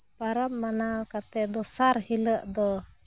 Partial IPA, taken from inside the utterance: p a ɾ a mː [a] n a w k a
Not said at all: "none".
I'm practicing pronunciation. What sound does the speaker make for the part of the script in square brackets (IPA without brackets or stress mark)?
a